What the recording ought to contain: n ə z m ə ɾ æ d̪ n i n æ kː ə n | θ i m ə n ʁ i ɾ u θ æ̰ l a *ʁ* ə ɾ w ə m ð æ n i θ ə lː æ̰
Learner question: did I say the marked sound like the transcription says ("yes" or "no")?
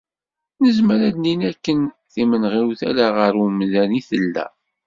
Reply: yes